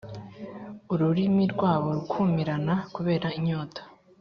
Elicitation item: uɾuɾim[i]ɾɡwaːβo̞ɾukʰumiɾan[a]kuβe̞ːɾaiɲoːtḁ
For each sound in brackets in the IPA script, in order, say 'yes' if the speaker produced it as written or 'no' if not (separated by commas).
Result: yes, yes